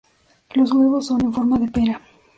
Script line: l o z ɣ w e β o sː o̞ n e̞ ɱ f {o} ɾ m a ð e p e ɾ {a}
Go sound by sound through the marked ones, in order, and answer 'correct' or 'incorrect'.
correct, correct

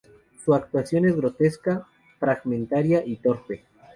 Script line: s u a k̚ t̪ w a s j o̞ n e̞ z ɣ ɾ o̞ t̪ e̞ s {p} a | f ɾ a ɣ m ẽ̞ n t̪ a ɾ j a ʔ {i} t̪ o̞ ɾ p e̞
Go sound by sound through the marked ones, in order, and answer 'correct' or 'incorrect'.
incorrect, correct

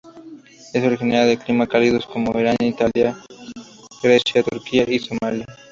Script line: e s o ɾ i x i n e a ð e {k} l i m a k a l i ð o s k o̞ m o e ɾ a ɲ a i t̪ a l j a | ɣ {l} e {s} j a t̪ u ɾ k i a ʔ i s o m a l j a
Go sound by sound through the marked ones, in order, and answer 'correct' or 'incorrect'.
correct, incorrect, correct

